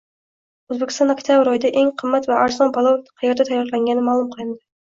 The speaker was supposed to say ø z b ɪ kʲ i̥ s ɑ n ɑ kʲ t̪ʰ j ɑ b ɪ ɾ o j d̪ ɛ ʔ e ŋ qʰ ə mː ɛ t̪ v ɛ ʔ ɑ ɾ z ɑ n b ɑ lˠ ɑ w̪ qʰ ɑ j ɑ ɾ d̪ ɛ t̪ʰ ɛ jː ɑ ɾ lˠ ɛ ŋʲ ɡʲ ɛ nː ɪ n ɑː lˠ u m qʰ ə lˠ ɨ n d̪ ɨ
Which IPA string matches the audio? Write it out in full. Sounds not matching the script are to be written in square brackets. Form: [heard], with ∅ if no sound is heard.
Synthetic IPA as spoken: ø z b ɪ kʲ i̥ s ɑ n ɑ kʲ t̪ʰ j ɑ b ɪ ɾ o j d̪ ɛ ʔ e ŋ qʰ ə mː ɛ t̪ v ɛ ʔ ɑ ɾ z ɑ n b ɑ lˠ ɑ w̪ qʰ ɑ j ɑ ɾ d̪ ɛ t̪ʰ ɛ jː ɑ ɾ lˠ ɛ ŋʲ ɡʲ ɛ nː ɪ [m] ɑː lˠ u m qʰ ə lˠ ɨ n d̪ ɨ